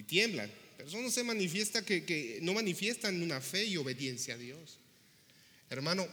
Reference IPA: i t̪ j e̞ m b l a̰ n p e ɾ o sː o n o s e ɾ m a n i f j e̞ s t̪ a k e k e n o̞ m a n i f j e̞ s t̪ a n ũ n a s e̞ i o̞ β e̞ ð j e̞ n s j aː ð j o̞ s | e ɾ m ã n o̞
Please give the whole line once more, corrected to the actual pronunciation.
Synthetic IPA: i t̪ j e̞ m b l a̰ n p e ɾ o s o n o s e m a n i f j e̞ s t̪ a k e k e n o̞ m a n i f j e̞ s t̪ a n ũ n a f e̞ i o̞ β e̞ ð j e̞ n s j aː ð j o̞ s | e ɾ m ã n o̞